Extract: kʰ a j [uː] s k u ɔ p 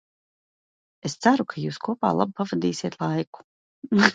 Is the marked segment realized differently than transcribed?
no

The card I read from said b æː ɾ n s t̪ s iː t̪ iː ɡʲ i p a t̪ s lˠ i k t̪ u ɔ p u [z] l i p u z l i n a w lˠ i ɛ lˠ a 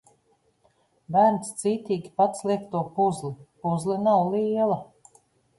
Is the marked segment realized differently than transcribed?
no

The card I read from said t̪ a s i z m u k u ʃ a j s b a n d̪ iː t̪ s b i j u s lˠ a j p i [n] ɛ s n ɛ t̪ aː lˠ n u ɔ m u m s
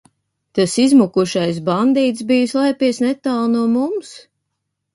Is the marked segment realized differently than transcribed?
yes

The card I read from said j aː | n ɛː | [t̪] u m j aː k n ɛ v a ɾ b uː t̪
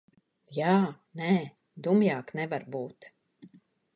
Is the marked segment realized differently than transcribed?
yes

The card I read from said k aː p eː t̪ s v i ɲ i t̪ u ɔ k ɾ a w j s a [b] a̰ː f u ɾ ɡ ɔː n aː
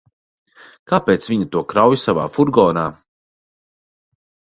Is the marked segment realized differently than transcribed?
yes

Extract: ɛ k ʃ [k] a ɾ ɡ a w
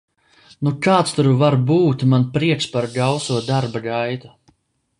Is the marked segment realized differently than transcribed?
yes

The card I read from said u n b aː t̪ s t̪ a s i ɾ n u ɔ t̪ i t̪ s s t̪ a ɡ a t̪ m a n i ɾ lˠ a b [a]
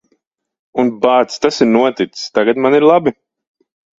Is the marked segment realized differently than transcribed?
yes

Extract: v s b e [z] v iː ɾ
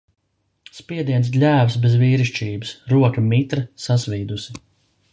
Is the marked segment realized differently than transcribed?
no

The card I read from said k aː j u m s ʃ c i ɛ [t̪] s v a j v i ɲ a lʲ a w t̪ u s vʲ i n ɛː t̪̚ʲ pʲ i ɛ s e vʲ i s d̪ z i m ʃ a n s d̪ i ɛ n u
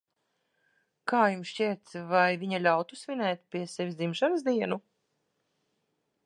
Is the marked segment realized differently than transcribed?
no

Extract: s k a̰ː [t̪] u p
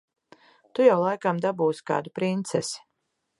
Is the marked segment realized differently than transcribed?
yes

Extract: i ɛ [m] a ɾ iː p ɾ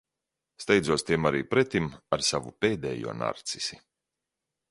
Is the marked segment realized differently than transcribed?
no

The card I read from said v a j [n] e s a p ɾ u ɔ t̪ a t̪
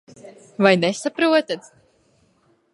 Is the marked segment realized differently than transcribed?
no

